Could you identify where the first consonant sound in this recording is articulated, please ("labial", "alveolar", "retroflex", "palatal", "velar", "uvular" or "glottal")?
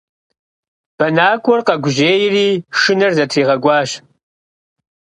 labial